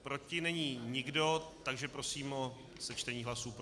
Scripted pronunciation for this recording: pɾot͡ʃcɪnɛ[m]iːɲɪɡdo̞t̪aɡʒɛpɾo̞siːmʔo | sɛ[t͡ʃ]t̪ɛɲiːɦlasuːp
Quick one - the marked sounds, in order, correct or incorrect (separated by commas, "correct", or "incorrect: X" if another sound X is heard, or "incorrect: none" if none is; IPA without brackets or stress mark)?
incorrect: ɲ, correct